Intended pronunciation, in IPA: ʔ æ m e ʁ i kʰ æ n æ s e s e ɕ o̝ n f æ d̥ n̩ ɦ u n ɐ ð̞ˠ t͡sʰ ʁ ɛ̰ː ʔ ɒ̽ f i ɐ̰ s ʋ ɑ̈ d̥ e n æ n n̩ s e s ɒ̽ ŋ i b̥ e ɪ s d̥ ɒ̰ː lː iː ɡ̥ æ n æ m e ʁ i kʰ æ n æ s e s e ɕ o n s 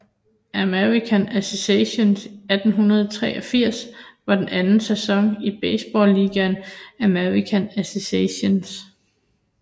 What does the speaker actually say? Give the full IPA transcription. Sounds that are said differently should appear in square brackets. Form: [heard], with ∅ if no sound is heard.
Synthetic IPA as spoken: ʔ æ m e ʁ i kʰ æ n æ s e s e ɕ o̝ n [s] æ d̥ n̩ ɦ u n ɐ ð̞ˠ t͡sʰ ʁ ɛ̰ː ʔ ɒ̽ f i ɐ̰ s ʋ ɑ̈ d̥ e n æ n n̩ s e s ɒ̽ ŋ i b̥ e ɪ s [b̥] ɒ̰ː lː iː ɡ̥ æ n æ m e ʁ i kʰ æ n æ s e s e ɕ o n s